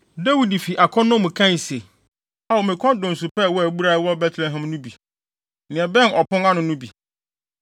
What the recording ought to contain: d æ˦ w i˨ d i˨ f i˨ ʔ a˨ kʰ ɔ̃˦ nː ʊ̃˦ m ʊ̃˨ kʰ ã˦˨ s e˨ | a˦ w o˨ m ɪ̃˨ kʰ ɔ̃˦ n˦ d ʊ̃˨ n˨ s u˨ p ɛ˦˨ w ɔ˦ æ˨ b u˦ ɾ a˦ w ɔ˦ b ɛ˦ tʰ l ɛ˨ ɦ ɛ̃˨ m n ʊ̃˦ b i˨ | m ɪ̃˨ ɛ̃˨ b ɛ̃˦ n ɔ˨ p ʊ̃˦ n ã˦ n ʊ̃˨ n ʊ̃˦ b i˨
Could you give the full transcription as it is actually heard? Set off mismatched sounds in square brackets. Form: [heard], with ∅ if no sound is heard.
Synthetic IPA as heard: d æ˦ w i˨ d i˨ f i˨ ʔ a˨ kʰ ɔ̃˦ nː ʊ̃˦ m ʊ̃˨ kʰ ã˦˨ s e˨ | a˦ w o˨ m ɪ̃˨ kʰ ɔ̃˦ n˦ d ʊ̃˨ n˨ s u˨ p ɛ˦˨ w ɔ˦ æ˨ b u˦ ɾ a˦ w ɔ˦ b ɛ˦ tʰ l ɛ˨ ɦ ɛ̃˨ m n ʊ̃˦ b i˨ | [n] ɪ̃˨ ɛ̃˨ b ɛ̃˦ n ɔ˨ p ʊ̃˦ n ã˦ n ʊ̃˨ n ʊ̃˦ b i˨